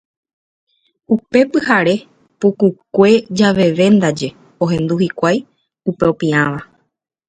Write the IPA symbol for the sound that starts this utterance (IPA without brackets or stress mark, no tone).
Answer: u